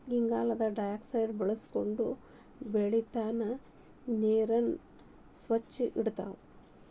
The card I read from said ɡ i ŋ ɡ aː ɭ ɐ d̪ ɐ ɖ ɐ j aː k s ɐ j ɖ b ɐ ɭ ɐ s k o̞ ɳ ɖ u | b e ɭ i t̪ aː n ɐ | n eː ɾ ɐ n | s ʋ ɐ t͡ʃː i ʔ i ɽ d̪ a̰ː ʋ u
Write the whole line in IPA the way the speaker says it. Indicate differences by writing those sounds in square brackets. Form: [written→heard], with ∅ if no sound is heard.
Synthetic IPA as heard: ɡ i ŋ ɡ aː [ɭ→l] ɐ d̪ ɐ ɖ ɐ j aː k s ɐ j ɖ b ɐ ɭ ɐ s k o̞ ɳ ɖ u | b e ɭ i t̪ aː n ɐ | n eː ɾ ɐ n | s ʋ ɐ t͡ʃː i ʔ i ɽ [d̪→t̪] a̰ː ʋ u